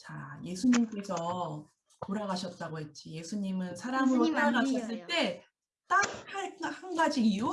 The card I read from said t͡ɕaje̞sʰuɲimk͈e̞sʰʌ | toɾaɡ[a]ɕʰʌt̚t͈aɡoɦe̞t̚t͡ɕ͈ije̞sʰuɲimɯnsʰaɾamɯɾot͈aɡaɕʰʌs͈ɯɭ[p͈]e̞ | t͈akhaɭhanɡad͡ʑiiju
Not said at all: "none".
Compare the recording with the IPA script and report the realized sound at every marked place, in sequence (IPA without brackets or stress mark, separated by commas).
a, t͈